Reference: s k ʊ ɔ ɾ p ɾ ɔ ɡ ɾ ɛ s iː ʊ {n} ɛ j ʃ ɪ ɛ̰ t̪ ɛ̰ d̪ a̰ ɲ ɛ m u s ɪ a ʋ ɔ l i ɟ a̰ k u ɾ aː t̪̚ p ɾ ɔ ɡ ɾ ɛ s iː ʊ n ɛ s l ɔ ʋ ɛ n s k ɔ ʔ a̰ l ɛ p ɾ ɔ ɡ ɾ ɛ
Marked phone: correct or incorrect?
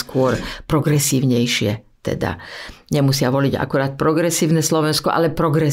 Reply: incorrect